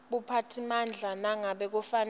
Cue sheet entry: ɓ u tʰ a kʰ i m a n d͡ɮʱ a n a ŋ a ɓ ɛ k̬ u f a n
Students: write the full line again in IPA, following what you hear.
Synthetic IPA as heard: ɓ u pʰ a tʰ i m a n d͡ɮʱ a n a ŋ a ɓ ɛ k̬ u f a n